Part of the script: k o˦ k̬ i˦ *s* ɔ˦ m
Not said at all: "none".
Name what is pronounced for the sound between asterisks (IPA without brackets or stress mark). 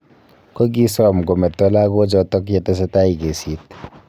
s